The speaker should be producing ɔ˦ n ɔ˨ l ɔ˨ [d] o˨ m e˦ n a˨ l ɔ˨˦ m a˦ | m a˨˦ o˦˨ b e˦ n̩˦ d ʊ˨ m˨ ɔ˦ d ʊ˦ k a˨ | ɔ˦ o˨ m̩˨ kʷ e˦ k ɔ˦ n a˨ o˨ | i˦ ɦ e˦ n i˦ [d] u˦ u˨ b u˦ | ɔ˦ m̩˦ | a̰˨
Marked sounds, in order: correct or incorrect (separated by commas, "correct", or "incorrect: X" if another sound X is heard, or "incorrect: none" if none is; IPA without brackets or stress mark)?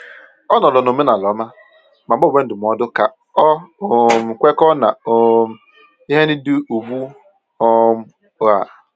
incorrect: n, correct